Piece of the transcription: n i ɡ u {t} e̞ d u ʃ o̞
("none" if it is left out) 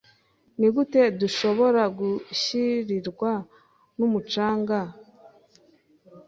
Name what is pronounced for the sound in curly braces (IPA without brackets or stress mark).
t